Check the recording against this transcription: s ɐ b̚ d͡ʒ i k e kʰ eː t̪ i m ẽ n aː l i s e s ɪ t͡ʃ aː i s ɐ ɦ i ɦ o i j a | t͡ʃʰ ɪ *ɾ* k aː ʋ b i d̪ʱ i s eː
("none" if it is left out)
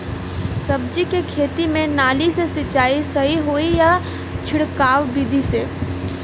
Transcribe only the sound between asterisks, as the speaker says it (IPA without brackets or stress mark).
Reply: ɽ